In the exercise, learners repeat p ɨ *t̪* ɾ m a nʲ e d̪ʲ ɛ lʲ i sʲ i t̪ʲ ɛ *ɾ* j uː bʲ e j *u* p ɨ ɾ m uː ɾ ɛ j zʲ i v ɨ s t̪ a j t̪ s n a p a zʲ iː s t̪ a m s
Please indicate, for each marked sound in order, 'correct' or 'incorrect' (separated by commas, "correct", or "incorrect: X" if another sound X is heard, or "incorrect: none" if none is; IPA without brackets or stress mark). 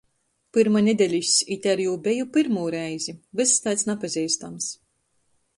incorrect: none, correct, correct